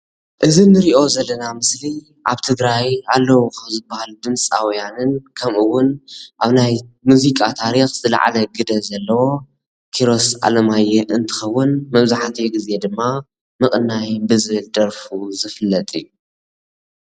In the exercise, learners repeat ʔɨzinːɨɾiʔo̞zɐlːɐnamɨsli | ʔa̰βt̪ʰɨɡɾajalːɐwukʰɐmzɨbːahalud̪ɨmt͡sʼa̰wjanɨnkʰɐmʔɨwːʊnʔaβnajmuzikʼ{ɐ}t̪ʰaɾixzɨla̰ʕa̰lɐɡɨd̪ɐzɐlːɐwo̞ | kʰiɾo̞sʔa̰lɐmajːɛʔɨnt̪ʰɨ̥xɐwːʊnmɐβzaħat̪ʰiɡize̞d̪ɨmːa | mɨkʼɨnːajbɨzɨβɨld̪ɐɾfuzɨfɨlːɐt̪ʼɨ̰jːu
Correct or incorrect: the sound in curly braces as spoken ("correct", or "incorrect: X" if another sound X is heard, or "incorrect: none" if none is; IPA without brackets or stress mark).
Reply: incorrect: a